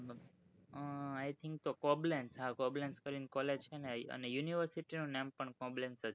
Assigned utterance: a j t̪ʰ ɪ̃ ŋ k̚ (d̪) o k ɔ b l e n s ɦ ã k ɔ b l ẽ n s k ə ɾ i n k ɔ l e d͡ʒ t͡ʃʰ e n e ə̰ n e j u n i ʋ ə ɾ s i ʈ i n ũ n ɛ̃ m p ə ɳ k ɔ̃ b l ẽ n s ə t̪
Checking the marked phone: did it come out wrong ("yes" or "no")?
yes